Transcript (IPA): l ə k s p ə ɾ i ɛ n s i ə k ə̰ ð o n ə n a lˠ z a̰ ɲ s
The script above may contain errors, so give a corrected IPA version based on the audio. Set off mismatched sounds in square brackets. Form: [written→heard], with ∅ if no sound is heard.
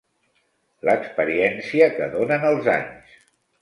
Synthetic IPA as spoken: l ə k s p ə ɾ i ɛ n s i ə k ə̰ ð o n ə n [a→ə] lˠ z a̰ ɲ s